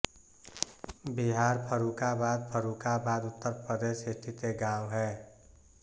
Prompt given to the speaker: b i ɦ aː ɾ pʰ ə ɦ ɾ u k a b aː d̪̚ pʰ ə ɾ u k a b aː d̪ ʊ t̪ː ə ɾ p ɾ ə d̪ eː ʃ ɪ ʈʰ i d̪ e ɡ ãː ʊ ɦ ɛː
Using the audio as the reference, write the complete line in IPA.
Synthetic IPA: b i ɦ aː ɾ pʰ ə ɾ u k a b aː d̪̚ pʰ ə ɾ u k a b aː d̪ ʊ t̪ː ə ɾ p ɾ ə d̪ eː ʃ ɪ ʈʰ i t̪ e ɡ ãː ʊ ɦ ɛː